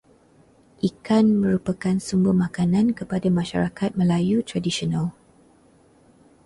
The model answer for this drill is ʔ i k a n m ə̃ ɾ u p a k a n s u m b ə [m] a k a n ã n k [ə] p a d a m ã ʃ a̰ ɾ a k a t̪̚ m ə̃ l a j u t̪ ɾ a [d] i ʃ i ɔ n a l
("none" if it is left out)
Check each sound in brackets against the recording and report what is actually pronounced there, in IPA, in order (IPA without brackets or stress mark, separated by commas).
m, ə, d